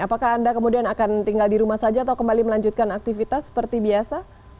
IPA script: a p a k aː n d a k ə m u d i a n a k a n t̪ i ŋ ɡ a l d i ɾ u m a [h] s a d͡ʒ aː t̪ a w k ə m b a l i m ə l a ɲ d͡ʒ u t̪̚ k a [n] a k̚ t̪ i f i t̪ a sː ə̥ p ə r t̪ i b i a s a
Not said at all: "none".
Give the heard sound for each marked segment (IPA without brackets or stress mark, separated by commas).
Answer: h, n